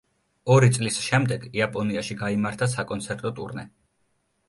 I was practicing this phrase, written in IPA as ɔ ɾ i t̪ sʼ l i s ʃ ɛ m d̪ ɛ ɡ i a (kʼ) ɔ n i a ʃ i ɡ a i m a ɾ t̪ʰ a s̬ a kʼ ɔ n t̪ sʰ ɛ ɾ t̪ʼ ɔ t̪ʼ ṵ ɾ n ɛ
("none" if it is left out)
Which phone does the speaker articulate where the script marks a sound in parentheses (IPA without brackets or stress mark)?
pʼ